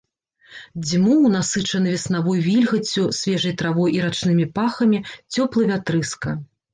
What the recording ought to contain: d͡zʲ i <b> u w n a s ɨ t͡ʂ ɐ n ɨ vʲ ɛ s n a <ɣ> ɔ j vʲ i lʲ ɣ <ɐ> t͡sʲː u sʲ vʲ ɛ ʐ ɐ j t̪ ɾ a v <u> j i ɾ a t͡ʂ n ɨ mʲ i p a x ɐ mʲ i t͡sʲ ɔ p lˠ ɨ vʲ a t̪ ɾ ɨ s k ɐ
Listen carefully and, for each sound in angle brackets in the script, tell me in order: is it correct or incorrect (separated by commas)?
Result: incorrect, incorrect, correct, incorrect